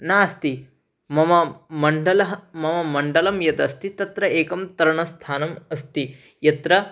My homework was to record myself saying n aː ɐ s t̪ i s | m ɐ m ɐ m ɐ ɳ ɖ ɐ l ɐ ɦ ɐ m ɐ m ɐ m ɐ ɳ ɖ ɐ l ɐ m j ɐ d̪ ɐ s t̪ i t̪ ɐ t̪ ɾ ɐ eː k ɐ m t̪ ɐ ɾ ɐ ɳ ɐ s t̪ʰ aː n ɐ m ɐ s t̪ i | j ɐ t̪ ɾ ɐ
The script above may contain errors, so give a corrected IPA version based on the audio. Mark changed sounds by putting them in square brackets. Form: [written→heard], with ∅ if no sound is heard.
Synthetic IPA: n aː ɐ s t̪ i [s→∅] | m ɐ m ɐ m ɐ ɳ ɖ ɐ l ɐ ɦ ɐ m ɐ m ɐ m ɐ ɳ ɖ ɐ l ɐ m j ɐ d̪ ɐ s t̪ i t̪ ɐ t̪ ɾ ɐ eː k ɐ m t̪ ɐ ɾ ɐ ɳ ɐ s t̪ʰ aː n ɐ m ɐ s t̪ i | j ɐ t̪ ɾ ɐ